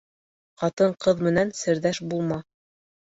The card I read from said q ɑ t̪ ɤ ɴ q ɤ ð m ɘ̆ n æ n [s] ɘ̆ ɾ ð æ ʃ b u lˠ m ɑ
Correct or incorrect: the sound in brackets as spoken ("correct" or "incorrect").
correct